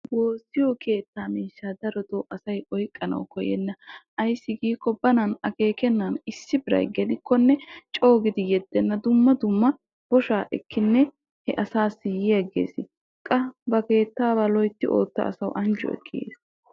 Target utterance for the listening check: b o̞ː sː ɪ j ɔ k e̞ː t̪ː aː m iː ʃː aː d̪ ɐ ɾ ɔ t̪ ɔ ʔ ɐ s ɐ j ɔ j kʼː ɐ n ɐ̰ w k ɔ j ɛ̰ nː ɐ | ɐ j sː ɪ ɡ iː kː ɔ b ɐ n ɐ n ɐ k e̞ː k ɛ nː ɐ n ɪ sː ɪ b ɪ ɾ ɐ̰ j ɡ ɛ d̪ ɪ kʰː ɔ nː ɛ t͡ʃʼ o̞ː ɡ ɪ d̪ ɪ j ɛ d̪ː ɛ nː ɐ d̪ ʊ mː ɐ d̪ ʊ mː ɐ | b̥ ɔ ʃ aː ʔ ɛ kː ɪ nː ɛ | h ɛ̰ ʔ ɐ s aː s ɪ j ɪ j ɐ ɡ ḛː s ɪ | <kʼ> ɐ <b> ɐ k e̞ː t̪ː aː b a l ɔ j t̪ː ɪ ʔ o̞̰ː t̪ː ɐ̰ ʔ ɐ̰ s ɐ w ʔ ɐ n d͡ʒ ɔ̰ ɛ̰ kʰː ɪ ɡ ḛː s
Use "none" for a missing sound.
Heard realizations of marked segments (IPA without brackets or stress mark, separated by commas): kʼ, b